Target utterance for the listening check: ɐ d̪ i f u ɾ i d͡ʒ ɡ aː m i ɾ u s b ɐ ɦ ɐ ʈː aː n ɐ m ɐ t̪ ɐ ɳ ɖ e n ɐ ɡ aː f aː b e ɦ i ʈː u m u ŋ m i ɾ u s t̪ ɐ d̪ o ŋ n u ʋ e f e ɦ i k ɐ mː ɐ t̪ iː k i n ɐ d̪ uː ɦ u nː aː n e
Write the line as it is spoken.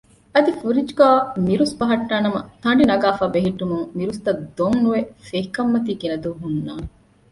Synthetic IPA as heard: ɐ d̪ i f u ɾ i d͡ʒ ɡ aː m i ɾ u s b ɐ ɦ ɐ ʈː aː n ɐ m ɐ t̪ ɐ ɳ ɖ i n ɐ ɡ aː f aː b e ɦ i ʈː u m u ŋ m i ɾ u s t̪ ɐ d̪ o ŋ n u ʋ e f e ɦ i k ɐ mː ɐ t̪ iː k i n ɐ d̪ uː ɦ u nː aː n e